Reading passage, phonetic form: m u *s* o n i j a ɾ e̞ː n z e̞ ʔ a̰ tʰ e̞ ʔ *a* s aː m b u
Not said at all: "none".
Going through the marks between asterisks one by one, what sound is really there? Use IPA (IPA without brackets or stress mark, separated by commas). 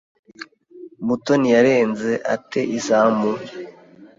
t, i